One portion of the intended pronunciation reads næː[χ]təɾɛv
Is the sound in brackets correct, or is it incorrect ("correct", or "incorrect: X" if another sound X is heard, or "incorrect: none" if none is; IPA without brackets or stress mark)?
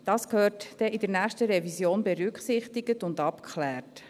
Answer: correct